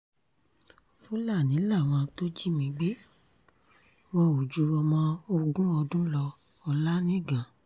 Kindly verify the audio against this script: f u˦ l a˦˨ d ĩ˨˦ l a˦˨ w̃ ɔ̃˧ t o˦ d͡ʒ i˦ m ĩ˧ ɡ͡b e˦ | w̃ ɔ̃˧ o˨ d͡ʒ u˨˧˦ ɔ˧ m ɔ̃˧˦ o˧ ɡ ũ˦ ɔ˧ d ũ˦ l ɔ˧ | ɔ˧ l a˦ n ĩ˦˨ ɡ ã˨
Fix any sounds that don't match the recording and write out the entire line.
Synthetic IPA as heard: f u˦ l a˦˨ n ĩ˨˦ l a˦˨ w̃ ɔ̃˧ t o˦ d͡ʒ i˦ m ĩ˧ ɡ͡b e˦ | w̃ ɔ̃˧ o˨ d͡ʒ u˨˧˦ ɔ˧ m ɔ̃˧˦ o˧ ɡ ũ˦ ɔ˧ d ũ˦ l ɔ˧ | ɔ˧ l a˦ n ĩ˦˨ ɡ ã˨